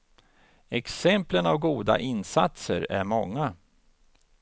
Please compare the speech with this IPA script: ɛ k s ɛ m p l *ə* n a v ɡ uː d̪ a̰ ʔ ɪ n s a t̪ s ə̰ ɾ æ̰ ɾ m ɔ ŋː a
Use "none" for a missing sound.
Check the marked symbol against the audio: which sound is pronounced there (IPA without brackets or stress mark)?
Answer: ə